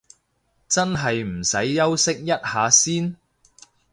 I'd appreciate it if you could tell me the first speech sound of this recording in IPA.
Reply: t͡s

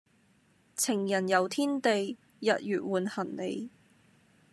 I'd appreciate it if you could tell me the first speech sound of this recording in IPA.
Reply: t͡sʰ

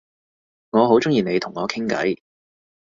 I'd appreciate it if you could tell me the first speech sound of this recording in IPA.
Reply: ŋ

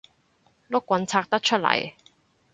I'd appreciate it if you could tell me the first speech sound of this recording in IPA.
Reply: l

